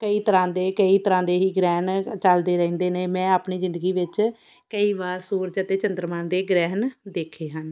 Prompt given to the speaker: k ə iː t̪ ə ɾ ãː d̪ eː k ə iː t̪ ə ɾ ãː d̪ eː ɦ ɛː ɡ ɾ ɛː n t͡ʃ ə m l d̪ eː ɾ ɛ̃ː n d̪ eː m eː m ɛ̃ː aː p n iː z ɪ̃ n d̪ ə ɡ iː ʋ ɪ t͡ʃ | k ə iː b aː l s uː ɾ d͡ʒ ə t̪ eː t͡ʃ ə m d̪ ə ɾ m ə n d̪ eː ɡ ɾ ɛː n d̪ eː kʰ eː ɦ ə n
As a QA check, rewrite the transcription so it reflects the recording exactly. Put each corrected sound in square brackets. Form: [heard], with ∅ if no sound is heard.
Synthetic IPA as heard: k ə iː t̪ ə ɾ ãː d̪ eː k ə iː t̪ ə ɾ ãː d̪ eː ɦ [iː] ɡ ɾ ɛː n t͡ʃ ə [∅] l d̪ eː ɾ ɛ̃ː n d̪ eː [n] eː m ɛ̃ː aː p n iː z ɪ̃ n d̪ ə ɡ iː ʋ ɪ t͡ʃ | k ə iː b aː [ɾ] s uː ɾ d͡ʒ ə t̪ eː t͡ʃ ə [n] d̪ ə ɾ m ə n d̪ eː ɡ ɾ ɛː n d̪ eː kʰ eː ɦ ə n